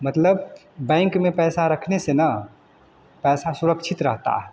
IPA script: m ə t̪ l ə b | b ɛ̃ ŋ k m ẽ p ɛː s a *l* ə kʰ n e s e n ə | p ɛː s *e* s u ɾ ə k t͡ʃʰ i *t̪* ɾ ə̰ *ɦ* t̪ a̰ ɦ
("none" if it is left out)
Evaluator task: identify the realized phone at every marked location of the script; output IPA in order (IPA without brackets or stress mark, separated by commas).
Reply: ɾ, a, t̪, ɦ